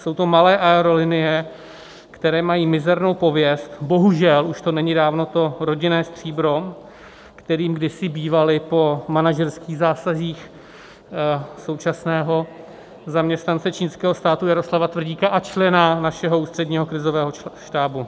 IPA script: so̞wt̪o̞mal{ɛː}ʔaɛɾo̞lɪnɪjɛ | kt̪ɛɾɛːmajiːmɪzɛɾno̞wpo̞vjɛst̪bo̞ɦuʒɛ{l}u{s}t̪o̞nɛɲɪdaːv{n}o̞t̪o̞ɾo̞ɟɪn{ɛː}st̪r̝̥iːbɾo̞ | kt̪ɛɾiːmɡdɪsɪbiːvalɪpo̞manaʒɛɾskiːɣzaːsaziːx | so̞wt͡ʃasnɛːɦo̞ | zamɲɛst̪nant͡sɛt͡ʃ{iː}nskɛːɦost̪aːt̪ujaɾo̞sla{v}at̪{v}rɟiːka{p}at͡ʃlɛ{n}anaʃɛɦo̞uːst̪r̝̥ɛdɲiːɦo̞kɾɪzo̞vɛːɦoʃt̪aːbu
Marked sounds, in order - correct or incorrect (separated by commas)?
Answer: correct, correct, incorrect, correct, correct, correct, correct, correct, incorrect, correct